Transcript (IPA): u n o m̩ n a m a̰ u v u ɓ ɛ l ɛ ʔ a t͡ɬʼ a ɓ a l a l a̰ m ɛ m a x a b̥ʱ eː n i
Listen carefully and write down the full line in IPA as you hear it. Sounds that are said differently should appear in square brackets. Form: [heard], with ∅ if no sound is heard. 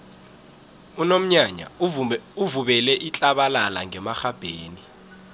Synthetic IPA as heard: u n o m̩ [ɲ] a [ɲ] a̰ u v u ɓ ɛ l ɛ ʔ [i] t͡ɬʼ a ɓ a l a l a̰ [ŋ] ɛ m a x a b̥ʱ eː n i